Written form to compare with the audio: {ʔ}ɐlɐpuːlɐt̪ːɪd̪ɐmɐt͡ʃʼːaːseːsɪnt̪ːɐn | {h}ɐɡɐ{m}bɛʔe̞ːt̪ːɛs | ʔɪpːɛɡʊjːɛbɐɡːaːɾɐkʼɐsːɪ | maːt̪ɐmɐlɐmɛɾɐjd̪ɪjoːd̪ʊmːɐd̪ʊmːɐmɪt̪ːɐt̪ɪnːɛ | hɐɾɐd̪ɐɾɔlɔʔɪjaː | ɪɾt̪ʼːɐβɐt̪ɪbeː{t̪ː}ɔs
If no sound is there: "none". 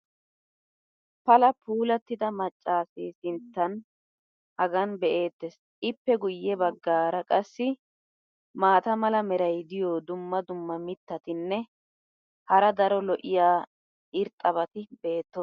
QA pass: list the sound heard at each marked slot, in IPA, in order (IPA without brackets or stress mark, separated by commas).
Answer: p, h, n, t̪ː